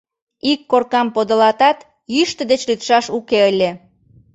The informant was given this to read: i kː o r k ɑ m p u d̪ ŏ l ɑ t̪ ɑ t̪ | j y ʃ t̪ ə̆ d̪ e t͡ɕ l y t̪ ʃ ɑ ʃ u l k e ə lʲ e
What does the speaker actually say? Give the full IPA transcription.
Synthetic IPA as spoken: i kː o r k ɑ m p o d̪ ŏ l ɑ t̪ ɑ t̪ | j y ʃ t̪ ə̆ d̪ e t͡ɕ l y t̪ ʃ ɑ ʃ u k e ə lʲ e